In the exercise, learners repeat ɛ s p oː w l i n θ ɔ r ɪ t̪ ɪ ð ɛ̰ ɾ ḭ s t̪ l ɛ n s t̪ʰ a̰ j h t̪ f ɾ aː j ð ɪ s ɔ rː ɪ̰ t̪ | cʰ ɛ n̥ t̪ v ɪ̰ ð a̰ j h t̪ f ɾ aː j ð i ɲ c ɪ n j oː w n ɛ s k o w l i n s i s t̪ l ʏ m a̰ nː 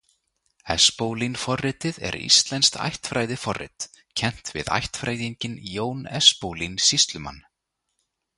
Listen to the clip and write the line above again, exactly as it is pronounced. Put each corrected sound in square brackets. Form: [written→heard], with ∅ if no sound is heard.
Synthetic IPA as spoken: ɛ s p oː w l i n [θ→f] ɔ r ɪ t̪ ɪ ð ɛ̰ ɾ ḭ s t̪ l ɛ n s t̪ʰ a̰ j h t̪ f ɾ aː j ð ɪ [s→f] ɔ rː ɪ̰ t̪ | cʰ ɛ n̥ t̪ v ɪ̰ ð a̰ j h t̪ f ɾ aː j ð i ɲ c ɪ n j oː w n ɛ s [k→p] o w l i n s i s t̪ l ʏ m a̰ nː